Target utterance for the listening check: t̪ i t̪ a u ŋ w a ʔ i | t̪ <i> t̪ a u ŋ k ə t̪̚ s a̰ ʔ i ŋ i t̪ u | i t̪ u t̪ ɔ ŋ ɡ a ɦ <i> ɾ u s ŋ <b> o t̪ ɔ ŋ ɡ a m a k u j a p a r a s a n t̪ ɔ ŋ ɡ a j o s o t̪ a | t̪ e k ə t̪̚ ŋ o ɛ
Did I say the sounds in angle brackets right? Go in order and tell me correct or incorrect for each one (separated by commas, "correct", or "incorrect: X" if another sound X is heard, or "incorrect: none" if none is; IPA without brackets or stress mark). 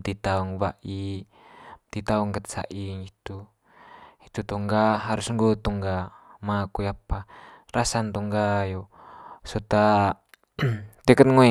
correct, incorrect: a, incorrect: ɡ